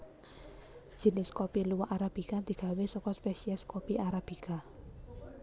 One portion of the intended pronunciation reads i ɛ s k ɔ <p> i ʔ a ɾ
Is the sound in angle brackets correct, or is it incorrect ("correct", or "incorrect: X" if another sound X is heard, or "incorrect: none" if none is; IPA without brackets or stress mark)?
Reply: correct